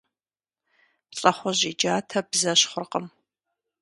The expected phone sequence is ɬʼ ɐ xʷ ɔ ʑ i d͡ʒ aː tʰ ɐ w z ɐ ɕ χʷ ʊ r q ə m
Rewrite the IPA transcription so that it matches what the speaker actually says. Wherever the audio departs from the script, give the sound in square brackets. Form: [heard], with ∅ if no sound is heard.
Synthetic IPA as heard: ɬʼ ɐ [χʷ] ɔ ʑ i d͡ʒ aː tʰ ɐ [b] z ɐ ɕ χʷ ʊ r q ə m